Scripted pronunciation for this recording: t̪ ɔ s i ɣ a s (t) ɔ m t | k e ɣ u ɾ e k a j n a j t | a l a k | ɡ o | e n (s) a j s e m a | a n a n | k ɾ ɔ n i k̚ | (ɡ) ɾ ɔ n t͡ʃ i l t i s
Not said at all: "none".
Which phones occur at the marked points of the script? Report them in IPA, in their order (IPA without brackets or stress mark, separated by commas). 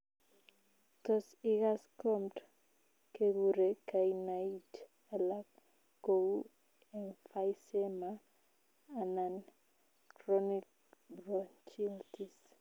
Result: k, f, b